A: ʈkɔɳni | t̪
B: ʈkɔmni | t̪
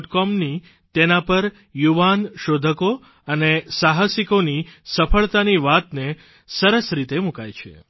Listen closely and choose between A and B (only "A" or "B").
B